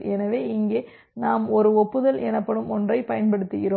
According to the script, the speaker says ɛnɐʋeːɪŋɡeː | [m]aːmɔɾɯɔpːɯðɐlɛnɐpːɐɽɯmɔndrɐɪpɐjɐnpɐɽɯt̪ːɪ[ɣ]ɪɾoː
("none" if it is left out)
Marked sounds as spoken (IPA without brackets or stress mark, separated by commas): n, ɣ